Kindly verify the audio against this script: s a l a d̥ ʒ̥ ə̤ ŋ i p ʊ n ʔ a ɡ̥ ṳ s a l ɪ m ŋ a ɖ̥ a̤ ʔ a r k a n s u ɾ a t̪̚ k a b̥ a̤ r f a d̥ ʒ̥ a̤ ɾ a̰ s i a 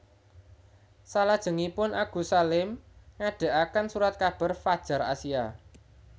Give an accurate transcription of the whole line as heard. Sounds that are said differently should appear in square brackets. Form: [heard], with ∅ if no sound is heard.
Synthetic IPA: s a l a d̥ ʒ̥ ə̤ ŋ i p ʊ n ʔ a ɡ̥ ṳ s a l ɪ m ŋ a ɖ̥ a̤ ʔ a [∅] k a n s u ɾ a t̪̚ k a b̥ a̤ r f a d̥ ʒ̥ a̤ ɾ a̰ s i a